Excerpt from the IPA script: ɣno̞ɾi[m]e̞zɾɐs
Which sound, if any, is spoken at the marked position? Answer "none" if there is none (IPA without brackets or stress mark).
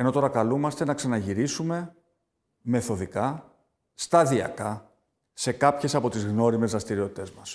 m